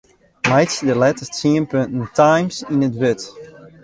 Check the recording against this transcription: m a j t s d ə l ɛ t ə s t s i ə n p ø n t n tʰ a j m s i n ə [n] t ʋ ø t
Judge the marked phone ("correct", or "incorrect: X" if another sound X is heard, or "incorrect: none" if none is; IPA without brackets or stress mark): incorrect: none